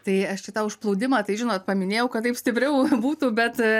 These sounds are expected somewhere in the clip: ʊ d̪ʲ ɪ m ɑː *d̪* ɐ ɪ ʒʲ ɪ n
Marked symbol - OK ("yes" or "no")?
no